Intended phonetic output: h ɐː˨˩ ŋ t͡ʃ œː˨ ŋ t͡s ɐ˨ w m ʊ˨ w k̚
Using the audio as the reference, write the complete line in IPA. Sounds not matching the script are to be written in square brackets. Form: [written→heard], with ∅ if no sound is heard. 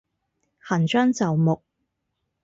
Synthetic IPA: h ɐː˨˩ [ŋ→n] t͡ʃ [œː˨→œː˥] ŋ t͡s ɐ˨ w m ʊ˨ [w→∅] k̚